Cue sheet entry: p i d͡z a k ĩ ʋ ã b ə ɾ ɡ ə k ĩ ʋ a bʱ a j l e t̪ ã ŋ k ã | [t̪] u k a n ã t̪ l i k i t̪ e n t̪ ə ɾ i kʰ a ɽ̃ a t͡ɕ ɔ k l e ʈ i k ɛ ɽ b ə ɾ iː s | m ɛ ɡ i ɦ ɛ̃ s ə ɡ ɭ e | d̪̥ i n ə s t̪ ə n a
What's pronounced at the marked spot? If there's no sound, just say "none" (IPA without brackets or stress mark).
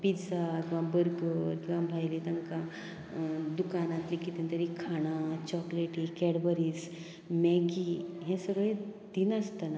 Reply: d̪